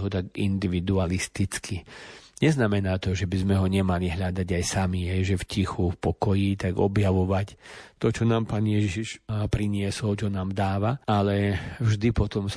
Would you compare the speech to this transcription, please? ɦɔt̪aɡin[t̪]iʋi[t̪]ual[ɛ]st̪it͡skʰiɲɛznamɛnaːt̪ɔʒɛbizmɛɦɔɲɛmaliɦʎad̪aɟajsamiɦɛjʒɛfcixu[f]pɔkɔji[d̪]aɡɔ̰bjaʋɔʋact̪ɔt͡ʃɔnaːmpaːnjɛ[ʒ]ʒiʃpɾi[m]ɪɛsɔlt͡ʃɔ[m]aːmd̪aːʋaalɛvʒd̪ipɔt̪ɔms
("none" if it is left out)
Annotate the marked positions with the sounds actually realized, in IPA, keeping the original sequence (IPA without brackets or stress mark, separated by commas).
d̪, d̪, i, f, t̪, ʒ, ɲ, n